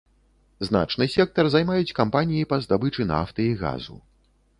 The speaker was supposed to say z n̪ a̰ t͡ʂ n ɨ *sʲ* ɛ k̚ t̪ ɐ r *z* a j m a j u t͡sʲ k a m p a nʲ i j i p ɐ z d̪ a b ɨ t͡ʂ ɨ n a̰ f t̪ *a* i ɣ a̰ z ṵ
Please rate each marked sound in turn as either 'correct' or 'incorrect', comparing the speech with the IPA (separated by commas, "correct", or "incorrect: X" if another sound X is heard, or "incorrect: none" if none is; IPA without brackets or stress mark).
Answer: correct, correct, incorrect: ɐ